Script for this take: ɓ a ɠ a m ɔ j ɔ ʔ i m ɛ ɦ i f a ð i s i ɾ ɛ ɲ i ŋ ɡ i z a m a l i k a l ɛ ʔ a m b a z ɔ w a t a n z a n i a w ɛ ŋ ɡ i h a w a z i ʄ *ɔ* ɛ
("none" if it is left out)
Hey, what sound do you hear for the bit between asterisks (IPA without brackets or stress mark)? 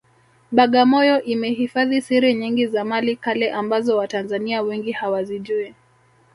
u